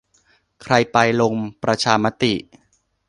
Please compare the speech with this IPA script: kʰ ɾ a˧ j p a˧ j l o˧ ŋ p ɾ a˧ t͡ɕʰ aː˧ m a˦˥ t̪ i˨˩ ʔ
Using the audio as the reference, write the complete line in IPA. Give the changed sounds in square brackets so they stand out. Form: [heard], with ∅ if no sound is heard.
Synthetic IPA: kʰ ɾ a˧ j p a˧ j l o˧ ŋ p ɾ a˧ t͡ɕʰ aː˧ m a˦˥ t̪ i˨˩ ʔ